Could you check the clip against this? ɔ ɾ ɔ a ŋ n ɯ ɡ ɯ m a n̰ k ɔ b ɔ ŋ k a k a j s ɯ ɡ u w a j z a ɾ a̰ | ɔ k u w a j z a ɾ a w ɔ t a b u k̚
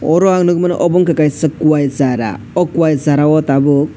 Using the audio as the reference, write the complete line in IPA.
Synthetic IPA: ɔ ɾ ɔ a ŋ n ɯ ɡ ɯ m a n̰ ʔ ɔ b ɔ ŋ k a k a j s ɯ k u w a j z a ɾ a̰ | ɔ k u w a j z a ɾ a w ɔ t a b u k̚